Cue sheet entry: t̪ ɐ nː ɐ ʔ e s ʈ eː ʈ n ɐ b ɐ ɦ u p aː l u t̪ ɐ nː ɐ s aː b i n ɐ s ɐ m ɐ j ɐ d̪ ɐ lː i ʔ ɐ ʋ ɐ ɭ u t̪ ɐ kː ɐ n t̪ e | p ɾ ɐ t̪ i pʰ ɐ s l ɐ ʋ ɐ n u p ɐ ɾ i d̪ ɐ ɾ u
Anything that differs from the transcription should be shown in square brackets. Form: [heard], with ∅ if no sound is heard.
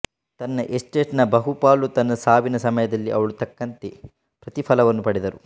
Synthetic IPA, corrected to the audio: t̪ ɐ nː ɐ ʔ e s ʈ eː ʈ n ɐ b ɐ ɦ u p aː l u t̪ ɐ nː ɐ s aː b i n ɐ s ɐ m ɐ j ɐ d̪ ɐ lː i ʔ ɐ ʋ ɐ ɭ u t̪ ɐ kː ɐ n t̪ e | p ɾ ɐ t̪ i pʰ ɐ [∅] l ɐ ʋ ɐ [nː] u p ɐ [ɽ] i d̪ ɐ ɾ u